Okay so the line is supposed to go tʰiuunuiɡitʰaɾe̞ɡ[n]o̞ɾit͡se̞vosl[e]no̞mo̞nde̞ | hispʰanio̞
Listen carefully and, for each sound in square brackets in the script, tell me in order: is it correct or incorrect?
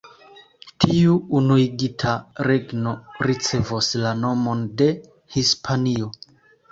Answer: correct, incorrect: a

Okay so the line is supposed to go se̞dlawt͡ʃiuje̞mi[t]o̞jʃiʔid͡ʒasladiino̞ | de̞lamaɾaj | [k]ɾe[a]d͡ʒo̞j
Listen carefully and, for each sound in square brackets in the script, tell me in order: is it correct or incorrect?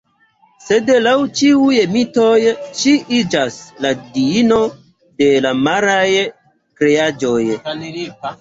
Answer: correct, correct, correct

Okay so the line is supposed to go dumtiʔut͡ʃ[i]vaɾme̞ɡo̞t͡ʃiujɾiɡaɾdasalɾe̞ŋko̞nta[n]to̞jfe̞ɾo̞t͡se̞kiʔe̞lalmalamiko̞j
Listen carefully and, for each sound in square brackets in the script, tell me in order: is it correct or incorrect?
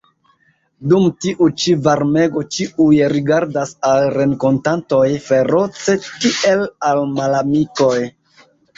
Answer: correct, correct

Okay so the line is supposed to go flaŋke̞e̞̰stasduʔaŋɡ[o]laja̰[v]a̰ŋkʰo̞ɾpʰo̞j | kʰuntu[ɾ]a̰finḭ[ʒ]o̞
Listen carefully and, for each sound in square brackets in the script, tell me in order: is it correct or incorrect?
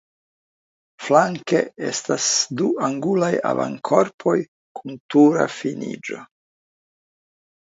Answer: incorrect: u, correct, correct, incorrect: d͡ʒ

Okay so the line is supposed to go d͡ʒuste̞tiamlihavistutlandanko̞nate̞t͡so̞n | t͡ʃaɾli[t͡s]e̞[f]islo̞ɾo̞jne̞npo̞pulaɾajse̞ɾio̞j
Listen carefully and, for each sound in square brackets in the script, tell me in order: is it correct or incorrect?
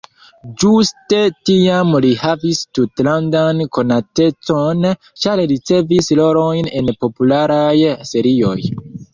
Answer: correct, incorrect: v

